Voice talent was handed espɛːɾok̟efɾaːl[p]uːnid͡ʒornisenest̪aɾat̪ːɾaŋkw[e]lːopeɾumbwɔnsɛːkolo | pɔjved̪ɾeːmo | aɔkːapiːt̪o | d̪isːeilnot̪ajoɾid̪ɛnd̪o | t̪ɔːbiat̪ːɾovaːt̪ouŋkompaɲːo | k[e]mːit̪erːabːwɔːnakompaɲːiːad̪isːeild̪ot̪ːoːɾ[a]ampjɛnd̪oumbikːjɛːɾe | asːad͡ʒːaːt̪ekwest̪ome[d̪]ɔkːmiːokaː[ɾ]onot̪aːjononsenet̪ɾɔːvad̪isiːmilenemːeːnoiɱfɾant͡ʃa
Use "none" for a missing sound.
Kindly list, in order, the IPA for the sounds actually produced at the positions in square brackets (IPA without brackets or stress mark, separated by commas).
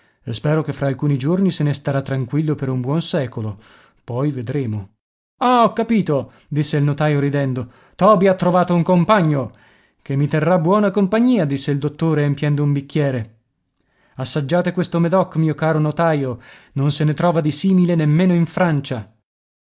k, i, e, e, d̪, ɾ